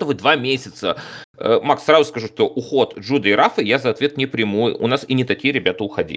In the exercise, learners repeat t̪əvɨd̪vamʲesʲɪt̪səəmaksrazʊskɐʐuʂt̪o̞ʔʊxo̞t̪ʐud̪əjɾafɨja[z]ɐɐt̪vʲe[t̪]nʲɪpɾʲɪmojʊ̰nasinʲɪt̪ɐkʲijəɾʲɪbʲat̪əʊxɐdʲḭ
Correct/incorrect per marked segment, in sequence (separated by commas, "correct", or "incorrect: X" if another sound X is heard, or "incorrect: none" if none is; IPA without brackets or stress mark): correct, correct